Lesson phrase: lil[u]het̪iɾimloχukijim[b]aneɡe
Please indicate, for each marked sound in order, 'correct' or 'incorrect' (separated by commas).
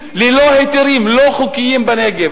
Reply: incorrect, correct